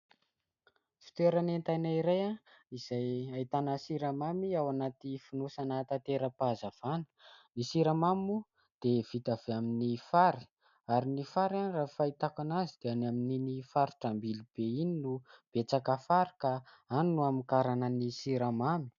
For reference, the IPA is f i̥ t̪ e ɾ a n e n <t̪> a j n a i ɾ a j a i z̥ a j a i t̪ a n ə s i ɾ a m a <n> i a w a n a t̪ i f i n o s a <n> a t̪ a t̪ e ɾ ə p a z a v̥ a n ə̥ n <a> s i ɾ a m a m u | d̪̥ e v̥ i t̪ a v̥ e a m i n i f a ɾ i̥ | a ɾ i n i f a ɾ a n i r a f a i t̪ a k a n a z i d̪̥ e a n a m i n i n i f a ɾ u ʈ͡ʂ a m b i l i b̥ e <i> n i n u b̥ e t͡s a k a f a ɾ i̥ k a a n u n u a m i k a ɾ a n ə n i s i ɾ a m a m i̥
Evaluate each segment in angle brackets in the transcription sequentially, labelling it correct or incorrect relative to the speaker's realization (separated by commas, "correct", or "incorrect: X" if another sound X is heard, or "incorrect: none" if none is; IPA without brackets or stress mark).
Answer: correct, incorrect: m, correct, incorrect: i, correct